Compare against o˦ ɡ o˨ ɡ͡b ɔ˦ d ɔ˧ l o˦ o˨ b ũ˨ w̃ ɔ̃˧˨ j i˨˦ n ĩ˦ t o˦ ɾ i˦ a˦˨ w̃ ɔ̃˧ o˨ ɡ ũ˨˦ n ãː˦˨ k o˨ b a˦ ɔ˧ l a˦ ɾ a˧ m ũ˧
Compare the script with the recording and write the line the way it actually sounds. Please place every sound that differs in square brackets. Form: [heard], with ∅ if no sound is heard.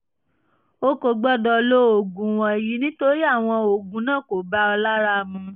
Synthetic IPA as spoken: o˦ [k] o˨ ɡ͡b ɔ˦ d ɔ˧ l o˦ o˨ [ɡ] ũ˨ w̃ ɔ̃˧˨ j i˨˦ n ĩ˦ t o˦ ɾ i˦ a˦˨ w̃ ɔ̃˧ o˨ ɡ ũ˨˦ n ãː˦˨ k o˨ b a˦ ɔ˧ l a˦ ɾ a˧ m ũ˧